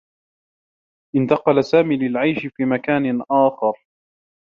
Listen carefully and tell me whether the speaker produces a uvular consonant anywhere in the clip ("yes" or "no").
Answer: yes